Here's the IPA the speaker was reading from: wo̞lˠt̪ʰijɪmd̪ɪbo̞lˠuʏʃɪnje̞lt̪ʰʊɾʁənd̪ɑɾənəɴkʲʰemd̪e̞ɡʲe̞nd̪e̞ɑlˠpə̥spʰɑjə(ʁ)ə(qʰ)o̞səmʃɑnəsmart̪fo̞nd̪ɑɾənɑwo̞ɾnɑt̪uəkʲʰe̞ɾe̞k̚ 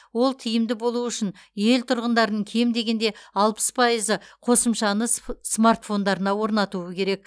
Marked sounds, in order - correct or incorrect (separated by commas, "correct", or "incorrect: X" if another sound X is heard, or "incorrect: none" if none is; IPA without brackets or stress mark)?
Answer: incorrect: z, correct